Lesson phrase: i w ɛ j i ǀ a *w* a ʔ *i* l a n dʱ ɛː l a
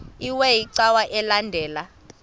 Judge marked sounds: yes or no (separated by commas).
yes, no